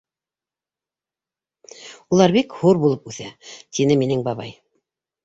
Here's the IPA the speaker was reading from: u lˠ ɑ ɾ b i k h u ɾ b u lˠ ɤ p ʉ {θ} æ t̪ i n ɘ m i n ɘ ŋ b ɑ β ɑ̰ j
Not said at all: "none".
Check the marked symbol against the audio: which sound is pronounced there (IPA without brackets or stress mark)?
θ